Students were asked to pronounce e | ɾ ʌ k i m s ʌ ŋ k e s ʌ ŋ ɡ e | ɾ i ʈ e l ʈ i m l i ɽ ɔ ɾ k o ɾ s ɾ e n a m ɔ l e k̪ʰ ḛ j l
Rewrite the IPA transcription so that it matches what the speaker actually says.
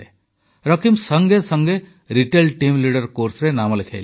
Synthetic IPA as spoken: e | ɾ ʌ k i m s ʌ ŋ ɡ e s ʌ ŋ ɡ e | ɾ i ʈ e l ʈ i m l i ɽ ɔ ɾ k o ɾ s ɾ e n a m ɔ l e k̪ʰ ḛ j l

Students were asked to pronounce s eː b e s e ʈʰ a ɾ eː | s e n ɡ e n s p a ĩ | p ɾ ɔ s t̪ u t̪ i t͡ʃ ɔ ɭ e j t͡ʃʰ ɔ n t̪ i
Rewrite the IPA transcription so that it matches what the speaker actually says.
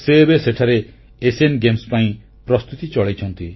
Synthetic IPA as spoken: s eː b e s e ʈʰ a ɾ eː | s e n ɡ e m s p a ĩ | p ɾ ɔ s t̪ u t̪ i t͡ʃ ɔ ɭ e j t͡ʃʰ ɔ n t̪ i

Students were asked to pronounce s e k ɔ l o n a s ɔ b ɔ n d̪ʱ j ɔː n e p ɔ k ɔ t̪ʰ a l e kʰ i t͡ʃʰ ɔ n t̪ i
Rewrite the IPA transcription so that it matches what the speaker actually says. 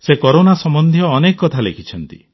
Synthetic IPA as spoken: s e k ɔ ɾ o n a s ɔ m ɔ n d̪ʱ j ɔː n e k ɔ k ɔ t̪ʰ a l e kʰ i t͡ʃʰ ɔ n t̪ i

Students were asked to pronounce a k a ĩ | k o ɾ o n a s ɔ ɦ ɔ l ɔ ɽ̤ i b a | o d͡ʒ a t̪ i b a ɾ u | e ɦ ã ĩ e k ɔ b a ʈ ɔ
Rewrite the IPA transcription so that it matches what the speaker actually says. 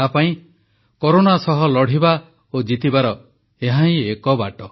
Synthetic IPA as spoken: a p a ĩ | k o ɾ o n a s ɔ ɦ ɔ l ɔ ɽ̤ i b a | o d͡ʒ i t̪ i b a ɾ ɔ | e ɦ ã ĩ e k ɔ b a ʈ ɔ

